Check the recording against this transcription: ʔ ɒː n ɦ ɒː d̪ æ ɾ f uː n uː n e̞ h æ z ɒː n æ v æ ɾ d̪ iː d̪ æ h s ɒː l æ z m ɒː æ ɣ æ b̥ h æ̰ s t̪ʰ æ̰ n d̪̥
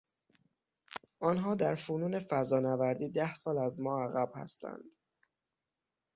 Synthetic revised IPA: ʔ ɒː n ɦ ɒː d̪ æ ɾ f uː n uː n e̞ f æ z ɒː n æ v æ ɾ d̪ iː d̪ æ h s ɒː l æ z m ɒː æ ɣ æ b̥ h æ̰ s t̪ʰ æ̰ n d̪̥